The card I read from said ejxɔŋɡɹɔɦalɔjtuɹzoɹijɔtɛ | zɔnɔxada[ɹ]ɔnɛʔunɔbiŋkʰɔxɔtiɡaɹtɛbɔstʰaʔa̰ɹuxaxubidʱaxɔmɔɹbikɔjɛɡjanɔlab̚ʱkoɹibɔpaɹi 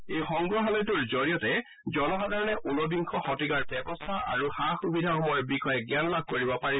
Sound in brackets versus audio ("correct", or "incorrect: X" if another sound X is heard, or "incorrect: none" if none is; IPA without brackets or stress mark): correct